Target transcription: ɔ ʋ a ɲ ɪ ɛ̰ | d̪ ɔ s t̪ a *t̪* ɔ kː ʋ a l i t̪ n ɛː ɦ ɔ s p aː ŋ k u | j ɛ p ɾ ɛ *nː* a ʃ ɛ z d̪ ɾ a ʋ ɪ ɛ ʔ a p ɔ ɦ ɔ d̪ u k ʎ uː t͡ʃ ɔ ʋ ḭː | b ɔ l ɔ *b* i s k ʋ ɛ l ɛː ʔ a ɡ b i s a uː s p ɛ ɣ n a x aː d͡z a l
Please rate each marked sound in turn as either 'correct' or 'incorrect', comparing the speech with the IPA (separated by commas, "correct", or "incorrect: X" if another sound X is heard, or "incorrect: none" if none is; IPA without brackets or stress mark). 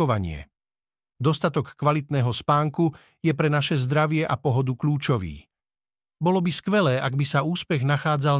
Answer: correct, incorrect: n, correct